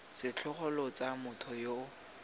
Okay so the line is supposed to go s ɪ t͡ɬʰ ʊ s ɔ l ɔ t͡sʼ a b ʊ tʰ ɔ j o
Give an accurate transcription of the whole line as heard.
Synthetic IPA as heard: s ɪ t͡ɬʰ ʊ χ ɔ l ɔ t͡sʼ a m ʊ tʰ ɔ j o